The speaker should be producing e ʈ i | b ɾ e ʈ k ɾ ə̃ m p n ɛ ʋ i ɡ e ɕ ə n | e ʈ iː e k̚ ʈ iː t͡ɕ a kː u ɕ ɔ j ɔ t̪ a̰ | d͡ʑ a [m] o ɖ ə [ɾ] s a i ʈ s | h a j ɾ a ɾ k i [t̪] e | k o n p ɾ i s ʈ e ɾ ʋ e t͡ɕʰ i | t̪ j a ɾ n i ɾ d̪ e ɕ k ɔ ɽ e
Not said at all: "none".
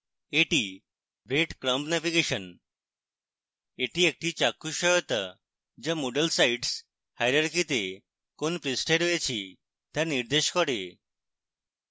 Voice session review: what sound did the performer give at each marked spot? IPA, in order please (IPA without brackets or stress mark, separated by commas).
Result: m, l, t̪